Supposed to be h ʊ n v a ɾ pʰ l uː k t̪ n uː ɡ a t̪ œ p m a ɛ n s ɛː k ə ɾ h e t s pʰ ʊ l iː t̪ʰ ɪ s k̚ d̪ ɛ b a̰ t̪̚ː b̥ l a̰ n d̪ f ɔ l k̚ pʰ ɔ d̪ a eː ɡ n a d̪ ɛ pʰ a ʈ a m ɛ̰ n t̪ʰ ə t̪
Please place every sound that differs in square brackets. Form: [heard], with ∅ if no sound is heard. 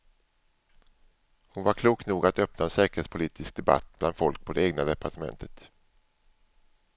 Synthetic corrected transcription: h ʊ n v a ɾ [kʰ] l uː k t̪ n uː ɡ a t̪ œ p [n] a ɛ n s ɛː k ə ɾ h e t s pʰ ʊ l iː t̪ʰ ɪ s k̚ d̪ ɛ b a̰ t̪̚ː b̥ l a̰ n d̪ f ɔ l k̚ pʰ ɔ d̪ [ɛ] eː ɡ n a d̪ ɛ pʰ a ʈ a m ɛ̰ n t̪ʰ ə t̪